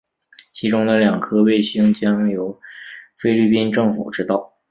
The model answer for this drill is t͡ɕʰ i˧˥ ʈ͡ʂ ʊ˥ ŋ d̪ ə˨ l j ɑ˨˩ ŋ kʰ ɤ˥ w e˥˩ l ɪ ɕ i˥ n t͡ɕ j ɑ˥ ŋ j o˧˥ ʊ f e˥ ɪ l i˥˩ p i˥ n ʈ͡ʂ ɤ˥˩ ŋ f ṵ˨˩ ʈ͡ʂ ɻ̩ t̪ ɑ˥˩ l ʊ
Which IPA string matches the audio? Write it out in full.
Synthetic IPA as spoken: t͡ɕʰ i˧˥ ʈ͡ʂ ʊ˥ ŋ d̪ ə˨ l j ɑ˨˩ ŋ kʰ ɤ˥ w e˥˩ ɪ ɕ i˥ ŋ t͡ɕ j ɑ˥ ŋ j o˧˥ ʊ f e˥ ɪ l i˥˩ p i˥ n ʈ͡ʂ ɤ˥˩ ŋ f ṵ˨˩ ʈ͡ʂ ɻ̩ t̪ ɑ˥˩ ʊ